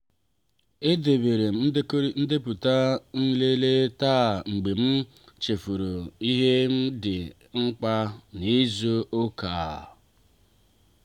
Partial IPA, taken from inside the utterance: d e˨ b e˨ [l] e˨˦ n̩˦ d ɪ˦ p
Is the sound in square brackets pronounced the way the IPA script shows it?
no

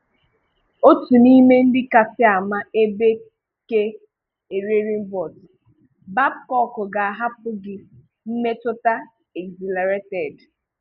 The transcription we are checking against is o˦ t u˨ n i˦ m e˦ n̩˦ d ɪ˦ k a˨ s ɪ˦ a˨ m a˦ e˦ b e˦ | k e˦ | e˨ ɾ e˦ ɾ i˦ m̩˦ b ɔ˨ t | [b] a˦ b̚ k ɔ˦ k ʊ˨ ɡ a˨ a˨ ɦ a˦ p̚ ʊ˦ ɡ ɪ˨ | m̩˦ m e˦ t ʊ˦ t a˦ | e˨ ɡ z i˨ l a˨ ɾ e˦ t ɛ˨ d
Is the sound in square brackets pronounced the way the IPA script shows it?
yes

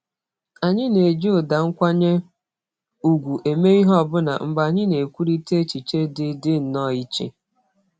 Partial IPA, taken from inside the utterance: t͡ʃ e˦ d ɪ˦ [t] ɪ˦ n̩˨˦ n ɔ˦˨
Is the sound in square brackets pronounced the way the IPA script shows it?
no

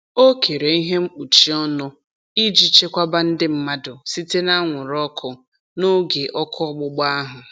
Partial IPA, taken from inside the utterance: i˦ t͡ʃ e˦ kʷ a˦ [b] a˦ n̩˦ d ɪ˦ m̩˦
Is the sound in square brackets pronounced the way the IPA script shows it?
yes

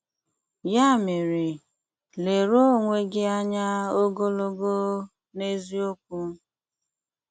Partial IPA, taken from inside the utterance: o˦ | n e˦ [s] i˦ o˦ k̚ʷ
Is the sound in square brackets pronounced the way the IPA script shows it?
no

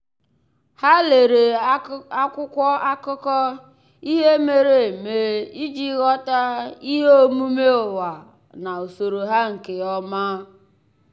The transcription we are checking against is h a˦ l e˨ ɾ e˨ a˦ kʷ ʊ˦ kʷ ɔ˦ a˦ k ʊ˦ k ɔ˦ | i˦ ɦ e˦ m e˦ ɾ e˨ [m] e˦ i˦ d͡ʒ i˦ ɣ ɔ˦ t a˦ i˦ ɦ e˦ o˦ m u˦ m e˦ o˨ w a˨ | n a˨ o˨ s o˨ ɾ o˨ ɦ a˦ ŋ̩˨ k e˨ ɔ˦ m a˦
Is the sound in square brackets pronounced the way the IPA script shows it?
yes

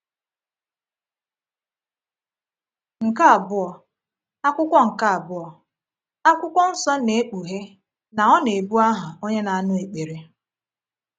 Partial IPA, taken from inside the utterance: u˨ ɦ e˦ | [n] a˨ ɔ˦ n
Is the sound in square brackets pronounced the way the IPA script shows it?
yes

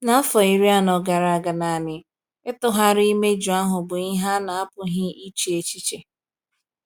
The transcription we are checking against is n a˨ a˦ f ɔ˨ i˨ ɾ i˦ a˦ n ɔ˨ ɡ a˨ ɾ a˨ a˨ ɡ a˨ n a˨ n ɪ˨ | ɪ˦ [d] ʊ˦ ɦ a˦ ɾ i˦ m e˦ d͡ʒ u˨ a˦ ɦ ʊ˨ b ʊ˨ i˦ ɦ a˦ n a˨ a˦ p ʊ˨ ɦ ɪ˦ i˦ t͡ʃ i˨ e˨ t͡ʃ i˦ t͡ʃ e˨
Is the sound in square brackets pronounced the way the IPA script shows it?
no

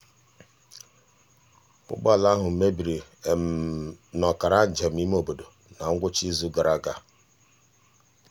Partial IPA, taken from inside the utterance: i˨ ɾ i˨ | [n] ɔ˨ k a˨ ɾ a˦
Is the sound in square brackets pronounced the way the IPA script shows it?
yes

